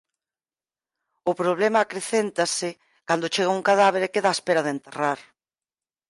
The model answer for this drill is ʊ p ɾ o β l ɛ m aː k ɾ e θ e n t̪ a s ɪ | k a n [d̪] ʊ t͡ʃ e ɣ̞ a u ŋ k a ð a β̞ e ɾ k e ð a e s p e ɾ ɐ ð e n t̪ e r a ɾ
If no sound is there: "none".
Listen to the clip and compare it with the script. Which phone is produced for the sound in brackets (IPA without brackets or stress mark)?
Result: d̪